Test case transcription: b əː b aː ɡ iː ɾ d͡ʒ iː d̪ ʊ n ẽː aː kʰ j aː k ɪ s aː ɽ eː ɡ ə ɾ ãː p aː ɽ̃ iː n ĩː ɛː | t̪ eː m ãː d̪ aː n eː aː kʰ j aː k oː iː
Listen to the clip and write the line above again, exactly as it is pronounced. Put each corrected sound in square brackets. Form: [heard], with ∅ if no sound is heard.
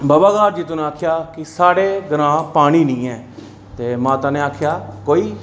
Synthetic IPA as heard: b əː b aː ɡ [aː] ɾ d͡ʒ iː [t̪] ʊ n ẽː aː kʰ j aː k ɪ s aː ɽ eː ɡ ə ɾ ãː p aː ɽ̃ iː n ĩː ɛː | t̪ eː m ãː [t̪] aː n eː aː kʰ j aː k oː iː